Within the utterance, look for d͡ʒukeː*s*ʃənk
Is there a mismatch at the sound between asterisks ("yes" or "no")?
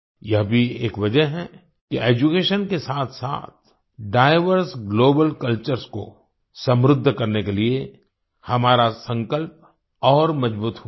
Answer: yes